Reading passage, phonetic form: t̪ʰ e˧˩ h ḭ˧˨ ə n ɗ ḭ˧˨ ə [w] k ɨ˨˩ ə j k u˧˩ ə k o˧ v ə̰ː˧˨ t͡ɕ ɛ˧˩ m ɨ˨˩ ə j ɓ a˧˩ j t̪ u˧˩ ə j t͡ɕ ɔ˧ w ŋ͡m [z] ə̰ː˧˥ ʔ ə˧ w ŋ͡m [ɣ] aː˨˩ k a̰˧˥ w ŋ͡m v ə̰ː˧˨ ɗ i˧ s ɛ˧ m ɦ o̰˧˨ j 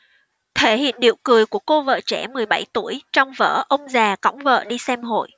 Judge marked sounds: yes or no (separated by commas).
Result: yes, no, no